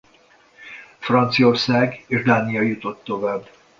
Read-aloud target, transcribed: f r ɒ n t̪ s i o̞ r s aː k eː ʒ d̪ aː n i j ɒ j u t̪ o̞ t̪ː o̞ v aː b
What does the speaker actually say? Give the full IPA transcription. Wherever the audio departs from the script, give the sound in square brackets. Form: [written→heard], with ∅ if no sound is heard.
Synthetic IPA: f r ɒ n t̪ s i o̞ r s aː [k→ɡ] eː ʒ d̪ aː n i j ɒ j u t̪ o̞ t̪ː o̞ v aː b